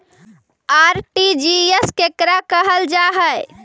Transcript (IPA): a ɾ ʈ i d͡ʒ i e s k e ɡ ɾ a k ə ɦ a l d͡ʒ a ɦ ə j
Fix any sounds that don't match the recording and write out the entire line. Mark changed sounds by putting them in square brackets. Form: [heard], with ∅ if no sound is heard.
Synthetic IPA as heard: a ɾ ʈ i d͡ʒ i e s k e [k] ɾ a k ə ɦ [ə] l d͡ʒ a ɦ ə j